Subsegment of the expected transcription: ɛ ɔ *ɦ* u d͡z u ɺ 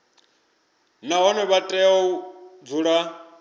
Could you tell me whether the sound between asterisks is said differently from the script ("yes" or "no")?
yes